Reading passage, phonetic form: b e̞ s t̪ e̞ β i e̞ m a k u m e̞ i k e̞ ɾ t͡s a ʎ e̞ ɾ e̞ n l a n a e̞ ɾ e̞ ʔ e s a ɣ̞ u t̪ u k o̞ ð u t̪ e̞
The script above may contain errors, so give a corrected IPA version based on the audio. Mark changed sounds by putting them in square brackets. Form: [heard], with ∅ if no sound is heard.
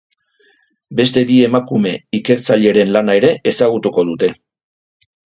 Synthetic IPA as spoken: b e̞ s t̪ e̞ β i e̞ m a k u m e̞ i k e̞ ɾ t͡s a ʎ e̞ ɾ e̞ n l a n a e̞ ɾ e̞ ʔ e s a ɣ̞ u t̪ u k o̞ ð u t̪ e̞